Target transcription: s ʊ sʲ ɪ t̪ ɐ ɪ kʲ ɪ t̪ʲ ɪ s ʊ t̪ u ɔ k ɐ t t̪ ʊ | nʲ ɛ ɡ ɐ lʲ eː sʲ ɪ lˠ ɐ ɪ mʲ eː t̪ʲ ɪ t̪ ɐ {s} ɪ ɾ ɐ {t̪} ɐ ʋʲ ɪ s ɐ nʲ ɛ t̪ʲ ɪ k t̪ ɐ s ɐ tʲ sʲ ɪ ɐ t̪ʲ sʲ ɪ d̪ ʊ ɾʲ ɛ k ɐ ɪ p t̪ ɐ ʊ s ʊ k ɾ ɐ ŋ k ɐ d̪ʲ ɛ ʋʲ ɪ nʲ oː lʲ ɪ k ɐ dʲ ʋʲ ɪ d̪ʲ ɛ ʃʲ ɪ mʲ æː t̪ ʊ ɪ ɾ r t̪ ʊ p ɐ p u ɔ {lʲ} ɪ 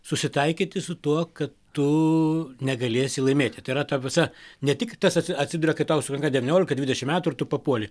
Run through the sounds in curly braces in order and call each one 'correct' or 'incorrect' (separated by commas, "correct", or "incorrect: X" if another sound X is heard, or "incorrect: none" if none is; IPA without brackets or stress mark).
incorrect: none, correct, correct